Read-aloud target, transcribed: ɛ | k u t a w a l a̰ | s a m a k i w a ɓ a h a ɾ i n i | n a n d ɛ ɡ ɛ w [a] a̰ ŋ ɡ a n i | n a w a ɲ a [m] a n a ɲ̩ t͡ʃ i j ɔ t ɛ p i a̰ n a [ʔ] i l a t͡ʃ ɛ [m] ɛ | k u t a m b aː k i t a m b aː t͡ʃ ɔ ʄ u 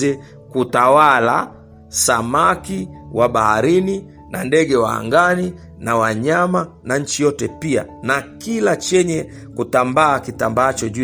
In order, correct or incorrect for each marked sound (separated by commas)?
correct, correct, incorrect, incorrect